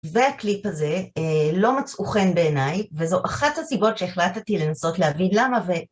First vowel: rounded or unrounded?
unrounded